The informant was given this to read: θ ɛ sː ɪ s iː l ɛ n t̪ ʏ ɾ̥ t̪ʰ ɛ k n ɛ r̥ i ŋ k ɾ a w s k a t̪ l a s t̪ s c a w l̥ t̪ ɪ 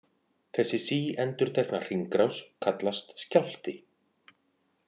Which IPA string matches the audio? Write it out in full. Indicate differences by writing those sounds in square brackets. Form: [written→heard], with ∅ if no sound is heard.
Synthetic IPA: θ ɛ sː ɪ s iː [l→∅] ɛ n t̪ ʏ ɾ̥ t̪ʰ ɛ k n [ɛ→a] r̥ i ŋ k ɾ a w s [k→kʰ] a t̪ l a s t̪ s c a w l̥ t̪ ɪ